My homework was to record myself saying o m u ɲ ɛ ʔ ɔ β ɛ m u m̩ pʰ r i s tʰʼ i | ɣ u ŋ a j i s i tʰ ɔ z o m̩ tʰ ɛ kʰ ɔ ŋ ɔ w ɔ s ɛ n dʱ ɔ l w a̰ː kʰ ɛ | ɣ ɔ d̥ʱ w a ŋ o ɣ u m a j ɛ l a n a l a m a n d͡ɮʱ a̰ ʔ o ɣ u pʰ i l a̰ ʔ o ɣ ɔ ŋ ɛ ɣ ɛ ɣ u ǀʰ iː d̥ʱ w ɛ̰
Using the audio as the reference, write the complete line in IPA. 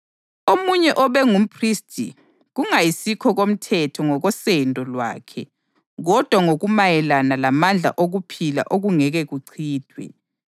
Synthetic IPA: o m u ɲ ɛ ʔ ɔ β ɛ ŋ u m̩ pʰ r i s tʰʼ i | ɣ u ŋ a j i s i kʰ ɔ ɣ o m̩ tʰ ɛ tʰ ɔ ŋ ɔ ɣ ɔ s ɛ n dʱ ɔ l w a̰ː kʰ ɛ | ɣ ɔ d̥ʱ w a ŋ o ɣ u m a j ɛ l a n a l a m a n d͡ɮʱ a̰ ʔ o ɣ u pʰ i l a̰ ʔ o ɣ u ŋ ɛ ɣ ɛ ɣ u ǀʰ iː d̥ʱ w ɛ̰